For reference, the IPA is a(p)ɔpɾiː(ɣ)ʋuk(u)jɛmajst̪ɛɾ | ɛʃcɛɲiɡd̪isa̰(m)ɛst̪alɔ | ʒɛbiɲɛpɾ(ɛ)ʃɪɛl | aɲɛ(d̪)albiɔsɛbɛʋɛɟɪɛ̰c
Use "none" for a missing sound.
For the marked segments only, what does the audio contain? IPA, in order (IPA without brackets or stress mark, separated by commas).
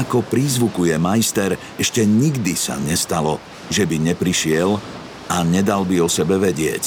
k, z, u, ɲ, i, d̪